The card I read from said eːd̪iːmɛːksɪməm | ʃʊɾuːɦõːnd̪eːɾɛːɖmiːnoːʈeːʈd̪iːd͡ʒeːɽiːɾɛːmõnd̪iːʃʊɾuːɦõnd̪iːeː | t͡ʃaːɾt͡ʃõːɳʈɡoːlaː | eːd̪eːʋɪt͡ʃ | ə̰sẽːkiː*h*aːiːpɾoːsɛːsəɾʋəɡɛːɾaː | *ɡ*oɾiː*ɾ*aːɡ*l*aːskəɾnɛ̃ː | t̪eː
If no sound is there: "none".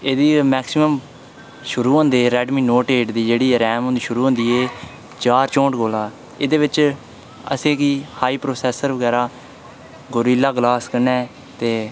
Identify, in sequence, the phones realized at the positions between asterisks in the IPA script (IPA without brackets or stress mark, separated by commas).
h, ɡ, l, l